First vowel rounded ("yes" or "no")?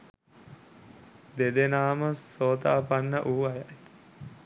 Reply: no